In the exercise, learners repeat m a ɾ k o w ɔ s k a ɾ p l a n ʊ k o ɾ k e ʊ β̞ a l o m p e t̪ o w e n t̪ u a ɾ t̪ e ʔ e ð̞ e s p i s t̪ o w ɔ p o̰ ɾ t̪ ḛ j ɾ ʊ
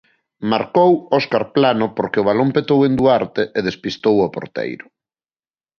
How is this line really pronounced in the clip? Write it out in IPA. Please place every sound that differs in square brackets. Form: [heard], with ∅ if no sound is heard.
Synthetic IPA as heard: m a ɾ k o w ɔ s k a ɾ p l a n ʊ [p] o ɾ k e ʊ β̞ a l o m p e t̪ o w e n [d̪] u a ɾ t̪ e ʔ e ð̞ e s p i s t̪ o w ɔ p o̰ ɾ t̪ ḛ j ɾ ʊ